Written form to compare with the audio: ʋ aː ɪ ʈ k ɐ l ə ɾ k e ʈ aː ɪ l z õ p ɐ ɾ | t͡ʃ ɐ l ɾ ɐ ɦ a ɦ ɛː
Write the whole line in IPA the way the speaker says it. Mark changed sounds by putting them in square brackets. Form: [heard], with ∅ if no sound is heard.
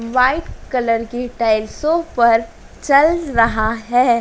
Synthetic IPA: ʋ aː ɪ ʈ k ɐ l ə ɾ k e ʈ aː ɪ l [s] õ p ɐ ɾ | t͡ʃ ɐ l ɾ ɐ ɦ a ɦ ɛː